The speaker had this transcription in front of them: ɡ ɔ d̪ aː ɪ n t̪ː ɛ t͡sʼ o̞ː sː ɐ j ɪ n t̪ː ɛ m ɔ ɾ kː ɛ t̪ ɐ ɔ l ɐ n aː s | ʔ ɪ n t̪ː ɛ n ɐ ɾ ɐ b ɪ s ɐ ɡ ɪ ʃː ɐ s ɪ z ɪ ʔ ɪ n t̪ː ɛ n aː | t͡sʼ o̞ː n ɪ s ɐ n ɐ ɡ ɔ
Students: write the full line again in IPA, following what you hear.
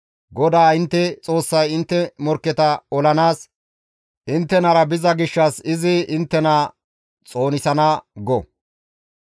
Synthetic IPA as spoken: ɡ ɔ d̪ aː ɪ n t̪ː ɛ t͡sʼ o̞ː sː ɐ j ɪ n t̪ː ɛ m ɔ ɾ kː ɛ t̪ ɐ ɔ l ɐ n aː s | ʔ ɪ n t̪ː ɛ n ɐ ɾ ɐ b ɪ z ɐ ɡ ɪ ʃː ɐ s ɪ z ɪ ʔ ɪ n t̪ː ɛ n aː | t͡sʼ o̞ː n ɪ s ɐ n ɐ ɡ ɔ